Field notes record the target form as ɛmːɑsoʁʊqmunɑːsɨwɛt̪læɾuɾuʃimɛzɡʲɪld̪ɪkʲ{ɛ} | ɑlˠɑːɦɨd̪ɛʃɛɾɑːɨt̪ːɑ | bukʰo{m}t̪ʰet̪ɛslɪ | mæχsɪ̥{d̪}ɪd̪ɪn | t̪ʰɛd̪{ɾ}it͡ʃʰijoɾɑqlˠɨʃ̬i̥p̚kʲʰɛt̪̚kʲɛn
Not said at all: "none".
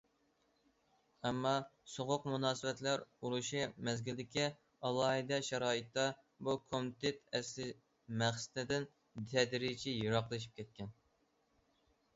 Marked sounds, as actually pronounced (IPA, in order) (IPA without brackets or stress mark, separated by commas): i, m, t̪, ɾ